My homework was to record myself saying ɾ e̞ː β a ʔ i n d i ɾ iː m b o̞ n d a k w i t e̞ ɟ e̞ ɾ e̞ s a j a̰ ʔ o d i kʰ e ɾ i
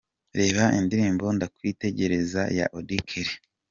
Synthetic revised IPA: ɾ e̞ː β a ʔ i n d i ɾ iː m b o̞ n d a k w i t e̞ ɟ e̞ ɾ e̞ z a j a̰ ʔ o d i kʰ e ɾ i

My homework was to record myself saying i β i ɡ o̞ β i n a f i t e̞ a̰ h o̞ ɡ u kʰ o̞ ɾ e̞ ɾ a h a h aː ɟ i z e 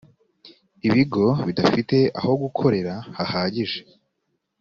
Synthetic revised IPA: i β i ɡ o̞ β i d a f i t e̞ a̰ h o̞ ɡ u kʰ o̞ ɾ e̞ ɾ a h a h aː ɟ i ʒ e

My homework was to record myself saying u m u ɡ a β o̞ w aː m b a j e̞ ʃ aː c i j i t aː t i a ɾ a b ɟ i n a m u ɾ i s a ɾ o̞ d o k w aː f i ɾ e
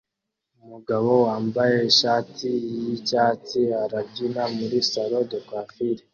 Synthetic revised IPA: u m u ɡ a β o̞ w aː m b a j e̞ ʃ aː t i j i c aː t i a ɾ a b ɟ i n a m u ɾ i s a ɾ o̞ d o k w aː f i ɾ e

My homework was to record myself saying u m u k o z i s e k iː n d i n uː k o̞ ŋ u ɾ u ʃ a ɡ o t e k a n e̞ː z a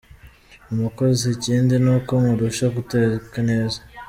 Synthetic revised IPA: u m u k o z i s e c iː n d i n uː k o̞ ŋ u ɾ u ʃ a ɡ u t e k a n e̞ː z a

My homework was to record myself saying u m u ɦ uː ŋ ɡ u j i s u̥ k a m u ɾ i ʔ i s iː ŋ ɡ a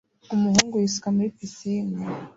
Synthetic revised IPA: u m u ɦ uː ŋ ɡ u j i s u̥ k a m u ɾ i p i s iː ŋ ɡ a

